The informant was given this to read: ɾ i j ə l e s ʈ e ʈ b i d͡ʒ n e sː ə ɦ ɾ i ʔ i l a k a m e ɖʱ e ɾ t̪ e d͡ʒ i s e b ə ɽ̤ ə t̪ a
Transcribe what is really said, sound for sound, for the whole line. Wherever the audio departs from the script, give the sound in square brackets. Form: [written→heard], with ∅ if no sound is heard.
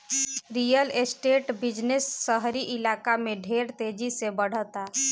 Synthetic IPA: ɾ i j ə l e s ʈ e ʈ b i d͡ʒ n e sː ə ɦ ɾ i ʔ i l a k a m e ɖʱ e ɾ t̪ e d͡ʒ i s e b ə ɽ̤ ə t̪ a